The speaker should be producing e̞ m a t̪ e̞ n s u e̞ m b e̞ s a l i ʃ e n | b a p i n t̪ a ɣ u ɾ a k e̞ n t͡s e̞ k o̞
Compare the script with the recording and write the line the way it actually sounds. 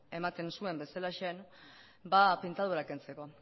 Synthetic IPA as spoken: e̞ m a t̪ e̞ n s u e̞ m b e̞ s a l a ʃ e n | b a p i n t̪ a ð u ɾ a k e̞ n t͡s e̞ k o̞